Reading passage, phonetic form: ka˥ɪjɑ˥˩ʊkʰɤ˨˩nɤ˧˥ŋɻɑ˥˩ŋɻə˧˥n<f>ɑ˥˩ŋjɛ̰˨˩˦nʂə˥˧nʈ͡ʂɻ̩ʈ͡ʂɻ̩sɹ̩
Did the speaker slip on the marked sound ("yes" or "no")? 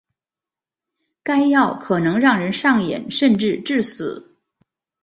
yes